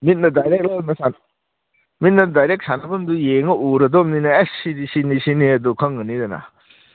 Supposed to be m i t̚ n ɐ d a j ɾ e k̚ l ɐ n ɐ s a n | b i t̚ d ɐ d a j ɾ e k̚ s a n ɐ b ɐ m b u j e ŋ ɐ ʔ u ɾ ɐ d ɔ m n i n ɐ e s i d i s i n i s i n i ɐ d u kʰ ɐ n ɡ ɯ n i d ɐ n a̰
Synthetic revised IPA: m i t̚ n ɐ d a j ɾ e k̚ l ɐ n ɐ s a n | m i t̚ n ɐ d a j ɾ e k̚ s a n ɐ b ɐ m d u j e ŋ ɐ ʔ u ɾ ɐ d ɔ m n i n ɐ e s i d i s i n i s i n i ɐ d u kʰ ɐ ŋ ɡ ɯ n i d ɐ n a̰